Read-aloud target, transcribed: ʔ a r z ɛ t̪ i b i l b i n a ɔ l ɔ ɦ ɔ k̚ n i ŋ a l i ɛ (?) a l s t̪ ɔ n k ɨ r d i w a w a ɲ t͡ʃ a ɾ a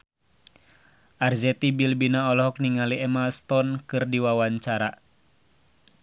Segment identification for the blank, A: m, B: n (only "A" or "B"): A